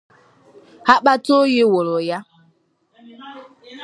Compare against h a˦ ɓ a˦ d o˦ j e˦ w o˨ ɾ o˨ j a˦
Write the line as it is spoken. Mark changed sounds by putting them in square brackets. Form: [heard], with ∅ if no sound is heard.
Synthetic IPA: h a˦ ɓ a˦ [t] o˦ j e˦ w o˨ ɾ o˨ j a˦

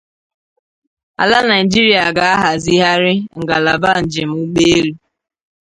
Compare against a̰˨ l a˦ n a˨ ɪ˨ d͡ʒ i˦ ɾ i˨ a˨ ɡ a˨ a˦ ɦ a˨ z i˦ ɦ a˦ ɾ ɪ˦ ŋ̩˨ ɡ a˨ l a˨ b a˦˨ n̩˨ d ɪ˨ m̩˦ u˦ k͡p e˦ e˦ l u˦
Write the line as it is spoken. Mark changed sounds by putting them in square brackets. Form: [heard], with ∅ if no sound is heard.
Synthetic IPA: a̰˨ l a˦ n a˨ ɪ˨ d͡ʒ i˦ ɾ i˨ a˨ ɡ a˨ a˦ ɦ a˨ z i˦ ɦ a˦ ɾ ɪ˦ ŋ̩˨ ɡ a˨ l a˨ b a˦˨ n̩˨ [d͡ʒ] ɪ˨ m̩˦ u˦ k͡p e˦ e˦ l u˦

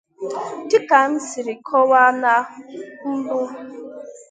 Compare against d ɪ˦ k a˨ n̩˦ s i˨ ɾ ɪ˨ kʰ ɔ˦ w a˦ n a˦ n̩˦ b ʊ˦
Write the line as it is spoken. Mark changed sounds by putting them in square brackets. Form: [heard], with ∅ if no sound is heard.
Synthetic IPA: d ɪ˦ k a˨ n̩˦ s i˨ ɾ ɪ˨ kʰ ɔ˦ w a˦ n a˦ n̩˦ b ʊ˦

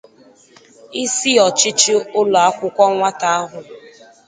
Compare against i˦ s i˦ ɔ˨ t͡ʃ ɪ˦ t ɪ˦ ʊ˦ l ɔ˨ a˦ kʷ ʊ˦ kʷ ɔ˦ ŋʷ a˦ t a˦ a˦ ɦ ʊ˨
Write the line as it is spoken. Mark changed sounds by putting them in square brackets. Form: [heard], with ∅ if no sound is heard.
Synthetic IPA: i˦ s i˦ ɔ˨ t͡ʃ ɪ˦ [t͡ʃ] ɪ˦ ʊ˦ l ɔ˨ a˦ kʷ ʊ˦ kʷ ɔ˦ ŋʷ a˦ t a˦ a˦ ɦ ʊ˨

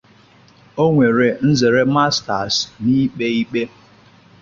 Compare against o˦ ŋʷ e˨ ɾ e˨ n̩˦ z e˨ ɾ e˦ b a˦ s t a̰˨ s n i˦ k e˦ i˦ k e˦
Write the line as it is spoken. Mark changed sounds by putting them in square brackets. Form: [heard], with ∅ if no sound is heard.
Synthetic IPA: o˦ ŋʷ e˨ ɾ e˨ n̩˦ z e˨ ɾ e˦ [m] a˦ s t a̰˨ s n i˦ [k͡p] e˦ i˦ [k͡p] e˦

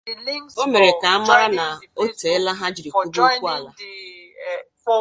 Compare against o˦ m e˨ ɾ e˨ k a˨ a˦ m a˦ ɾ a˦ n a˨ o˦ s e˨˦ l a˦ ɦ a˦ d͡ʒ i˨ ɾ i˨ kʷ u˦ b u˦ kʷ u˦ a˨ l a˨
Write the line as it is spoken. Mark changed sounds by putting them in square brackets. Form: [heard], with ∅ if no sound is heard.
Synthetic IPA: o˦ m e˨ ɾ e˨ k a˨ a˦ m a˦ ɾ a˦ n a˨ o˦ [t] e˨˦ l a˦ ɦ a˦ d͡ʒ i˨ ɾ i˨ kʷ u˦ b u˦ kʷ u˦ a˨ l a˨

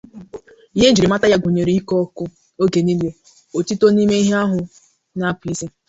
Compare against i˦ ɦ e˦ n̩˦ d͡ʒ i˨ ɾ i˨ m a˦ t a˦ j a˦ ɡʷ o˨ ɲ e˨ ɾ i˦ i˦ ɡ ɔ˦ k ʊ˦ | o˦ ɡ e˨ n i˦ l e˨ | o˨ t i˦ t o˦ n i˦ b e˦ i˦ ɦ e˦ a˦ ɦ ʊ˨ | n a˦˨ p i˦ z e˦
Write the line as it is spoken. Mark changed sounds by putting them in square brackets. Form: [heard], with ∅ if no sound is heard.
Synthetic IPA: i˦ ɦ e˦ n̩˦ d͡ʒ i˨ ɾ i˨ m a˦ t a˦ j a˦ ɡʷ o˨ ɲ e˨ ɾ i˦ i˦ [k] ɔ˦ k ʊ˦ | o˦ ɡ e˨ n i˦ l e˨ | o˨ t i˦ t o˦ n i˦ [m] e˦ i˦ ɦ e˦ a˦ ɦ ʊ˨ | n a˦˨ p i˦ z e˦

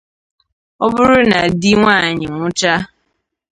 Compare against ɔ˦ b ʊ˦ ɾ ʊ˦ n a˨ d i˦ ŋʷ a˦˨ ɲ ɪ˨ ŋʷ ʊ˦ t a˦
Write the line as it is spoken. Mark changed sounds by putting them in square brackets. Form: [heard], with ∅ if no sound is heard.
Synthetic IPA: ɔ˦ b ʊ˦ ɾ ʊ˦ n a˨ d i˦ ŋʷ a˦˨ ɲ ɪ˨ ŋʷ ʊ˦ [t͡ʃ] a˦

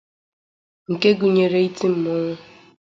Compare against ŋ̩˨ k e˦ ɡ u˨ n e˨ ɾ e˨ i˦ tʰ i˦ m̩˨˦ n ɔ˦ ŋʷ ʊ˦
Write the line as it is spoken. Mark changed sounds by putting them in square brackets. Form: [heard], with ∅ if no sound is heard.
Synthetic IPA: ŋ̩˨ k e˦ ɡ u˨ [ɲ] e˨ ɾ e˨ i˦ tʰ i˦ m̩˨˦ [m] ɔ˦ ŋʷ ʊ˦

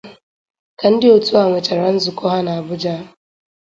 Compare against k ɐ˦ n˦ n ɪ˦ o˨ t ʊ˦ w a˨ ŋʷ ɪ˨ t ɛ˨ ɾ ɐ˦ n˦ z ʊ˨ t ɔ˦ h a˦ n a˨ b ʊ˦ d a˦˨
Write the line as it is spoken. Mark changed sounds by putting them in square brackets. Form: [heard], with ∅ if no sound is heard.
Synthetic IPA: k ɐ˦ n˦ [d] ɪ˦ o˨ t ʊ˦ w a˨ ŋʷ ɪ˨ [t͡ʃ] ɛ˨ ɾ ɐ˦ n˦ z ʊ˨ [k] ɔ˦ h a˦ n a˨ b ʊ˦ [d͡ʒ] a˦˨

